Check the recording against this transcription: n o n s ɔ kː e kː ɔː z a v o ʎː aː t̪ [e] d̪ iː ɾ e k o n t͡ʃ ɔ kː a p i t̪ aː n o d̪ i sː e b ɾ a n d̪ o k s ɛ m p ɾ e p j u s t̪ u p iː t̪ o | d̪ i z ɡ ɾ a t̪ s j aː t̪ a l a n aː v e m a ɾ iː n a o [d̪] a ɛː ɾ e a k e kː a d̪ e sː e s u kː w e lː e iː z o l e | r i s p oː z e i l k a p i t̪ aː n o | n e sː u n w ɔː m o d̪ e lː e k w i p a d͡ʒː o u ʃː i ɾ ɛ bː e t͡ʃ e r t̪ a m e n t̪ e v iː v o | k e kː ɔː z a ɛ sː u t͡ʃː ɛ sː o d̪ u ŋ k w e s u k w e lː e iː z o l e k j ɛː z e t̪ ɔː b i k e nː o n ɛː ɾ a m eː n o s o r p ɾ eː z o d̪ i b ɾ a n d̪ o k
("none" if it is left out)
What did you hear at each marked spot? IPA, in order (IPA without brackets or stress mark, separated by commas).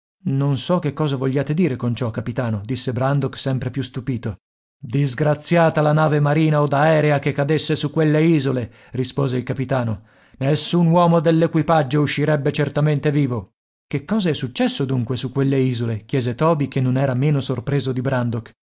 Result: e, d̪